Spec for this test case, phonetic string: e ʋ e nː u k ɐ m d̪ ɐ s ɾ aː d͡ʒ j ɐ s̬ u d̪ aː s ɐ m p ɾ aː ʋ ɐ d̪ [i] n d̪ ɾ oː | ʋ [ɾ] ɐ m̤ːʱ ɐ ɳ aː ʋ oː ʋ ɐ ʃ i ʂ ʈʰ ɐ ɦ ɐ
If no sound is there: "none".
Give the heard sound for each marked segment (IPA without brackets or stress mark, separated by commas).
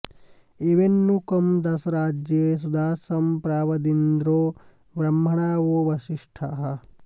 i, ɾ